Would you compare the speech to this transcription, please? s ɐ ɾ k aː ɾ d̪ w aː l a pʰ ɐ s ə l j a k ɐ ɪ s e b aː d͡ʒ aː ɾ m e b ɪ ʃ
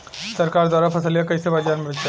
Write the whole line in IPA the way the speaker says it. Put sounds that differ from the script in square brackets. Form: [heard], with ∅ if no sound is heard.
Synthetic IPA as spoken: s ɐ ɾ k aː ɾ d̪ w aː [ɾ] a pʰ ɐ s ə l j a k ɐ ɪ s e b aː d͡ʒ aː ɾ m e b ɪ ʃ